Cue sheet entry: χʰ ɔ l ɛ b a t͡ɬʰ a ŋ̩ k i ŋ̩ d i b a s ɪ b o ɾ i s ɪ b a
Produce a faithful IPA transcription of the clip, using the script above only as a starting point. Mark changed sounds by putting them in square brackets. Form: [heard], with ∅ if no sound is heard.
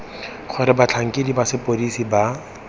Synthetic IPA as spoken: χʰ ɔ [ɾ] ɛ b a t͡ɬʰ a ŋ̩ k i [∅] d i b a s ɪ [p] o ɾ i s [i] b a

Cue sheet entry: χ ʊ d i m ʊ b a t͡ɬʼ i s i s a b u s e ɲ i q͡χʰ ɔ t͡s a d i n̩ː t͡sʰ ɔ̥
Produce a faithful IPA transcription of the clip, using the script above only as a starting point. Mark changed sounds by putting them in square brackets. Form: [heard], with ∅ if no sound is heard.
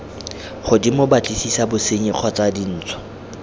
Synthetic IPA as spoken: χ ʊ d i m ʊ b a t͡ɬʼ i s i s a b [ʊ] s e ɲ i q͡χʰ ɔ t͡s a d i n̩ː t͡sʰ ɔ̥

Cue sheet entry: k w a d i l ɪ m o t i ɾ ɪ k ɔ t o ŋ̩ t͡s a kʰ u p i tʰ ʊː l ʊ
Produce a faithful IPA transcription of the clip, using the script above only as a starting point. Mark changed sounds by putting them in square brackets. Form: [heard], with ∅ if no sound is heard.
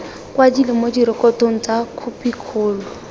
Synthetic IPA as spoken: k w a d i l ɪ m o [d] i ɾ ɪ k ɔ t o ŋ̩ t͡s a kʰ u p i [kʰ] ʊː l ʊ

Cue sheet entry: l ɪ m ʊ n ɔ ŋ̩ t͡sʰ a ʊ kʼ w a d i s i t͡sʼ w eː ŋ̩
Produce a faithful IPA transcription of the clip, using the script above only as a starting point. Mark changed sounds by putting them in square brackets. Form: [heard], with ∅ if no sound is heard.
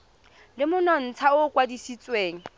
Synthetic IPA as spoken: l ɪ m ʊ n ɔ [n̩] t͡sʰ a ʊ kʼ w a d i s i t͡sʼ w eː ŋ̩

